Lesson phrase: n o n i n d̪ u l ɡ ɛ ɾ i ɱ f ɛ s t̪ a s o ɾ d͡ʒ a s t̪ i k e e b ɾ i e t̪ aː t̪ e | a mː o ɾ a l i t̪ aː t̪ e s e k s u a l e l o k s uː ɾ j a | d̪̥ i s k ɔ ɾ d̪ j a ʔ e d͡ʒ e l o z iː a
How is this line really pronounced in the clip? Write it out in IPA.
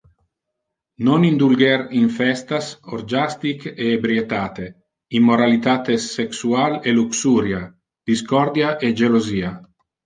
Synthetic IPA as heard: n o n i n d̪ u l ɡ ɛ ɾ i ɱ f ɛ s t̪ a s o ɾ d͡ʒ a s t̪ i k e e b ɾ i e t̪ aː t̪ e | i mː o ɾ a l i t̪ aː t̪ e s e k s u a l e l u k s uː ɾ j a | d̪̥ i s k ɔ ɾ d̪ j a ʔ e d͡ʒ e l o z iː a